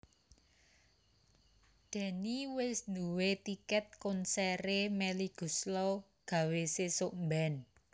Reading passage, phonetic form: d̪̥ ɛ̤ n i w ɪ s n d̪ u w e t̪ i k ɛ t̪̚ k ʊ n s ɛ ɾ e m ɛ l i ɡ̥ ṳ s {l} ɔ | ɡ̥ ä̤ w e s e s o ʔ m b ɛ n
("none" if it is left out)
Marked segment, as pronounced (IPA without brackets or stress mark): l